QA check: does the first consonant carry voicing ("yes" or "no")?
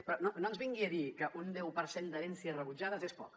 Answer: no